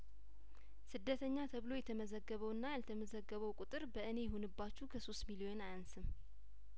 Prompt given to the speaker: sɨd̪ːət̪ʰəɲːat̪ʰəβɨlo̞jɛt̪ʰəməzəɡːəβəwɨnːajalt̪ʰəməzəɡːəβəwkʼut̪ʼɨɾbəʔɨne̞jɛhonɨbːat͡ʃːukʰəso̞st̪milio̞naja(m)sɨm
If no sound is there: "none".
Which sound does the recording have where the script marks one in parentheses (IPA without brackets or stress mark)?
n